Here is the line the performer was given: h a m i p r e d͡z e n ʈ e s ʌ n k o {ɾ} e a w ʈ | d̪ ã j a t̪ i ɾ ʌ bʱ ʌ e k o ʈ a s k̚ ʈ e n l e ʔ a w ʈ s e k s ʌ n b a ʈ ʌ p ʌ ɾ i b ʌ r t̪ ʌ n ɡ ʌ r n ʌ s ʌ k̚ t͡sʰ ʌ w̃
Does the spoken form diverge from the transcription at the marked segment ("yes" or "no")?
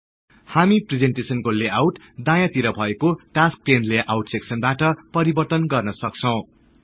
yes